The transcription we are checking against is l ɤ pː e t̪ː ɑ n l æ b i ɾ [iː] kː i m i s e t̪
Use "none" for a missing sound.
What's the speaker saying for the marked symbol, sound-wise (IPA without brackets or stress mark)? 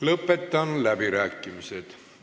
æː